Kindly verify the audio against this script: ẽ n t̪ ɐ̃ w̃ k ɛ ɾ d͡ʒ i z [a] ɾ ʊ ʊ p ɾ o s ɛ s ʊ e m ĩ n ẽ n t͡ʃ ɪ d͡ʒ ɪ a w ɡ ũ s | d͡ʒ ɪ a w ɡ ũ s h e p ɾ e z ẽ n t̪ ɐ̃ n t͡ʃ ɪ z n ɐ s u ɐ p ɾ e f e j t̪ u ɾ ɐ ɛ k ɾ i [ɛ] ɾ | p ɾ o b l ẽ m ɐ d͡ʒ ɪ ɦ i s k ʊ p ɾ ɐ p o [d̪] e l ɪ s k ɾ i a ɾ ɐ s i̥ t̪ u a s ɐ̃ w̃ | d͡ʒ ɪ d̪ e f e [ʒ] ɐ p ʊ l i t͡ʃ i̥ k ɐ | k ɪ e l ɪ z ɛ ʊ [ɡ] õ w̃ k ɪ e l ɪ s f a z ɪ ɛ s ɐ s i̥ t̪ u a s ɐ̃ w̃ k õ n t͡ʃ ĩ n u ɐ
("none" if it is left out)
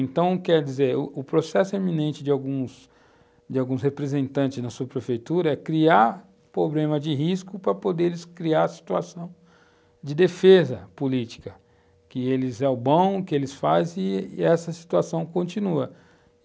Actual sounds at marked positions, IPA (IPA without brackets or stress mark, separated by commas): e, a, d̪, z, b